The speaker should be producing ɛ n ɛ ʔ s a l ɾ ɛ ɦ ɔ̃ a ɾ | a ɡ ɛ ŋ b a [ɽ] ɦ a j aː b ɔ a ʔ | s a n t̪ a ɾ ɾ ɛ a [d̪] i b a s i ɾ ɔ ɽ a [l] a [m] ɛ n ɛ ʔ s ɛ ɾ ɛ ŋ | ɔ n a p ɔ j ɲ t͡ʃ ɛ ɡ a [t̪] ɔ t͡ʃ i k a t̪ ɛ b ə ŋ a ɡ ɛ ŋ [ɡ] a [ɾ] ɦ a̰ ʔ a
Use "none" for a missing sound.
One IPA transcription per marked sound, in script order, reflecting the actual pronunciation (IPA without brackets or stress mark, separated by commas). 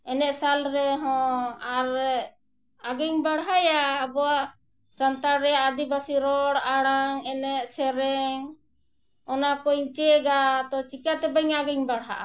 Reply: ɽ, d̪, ɽ, ŋ, t̪, b, ɽ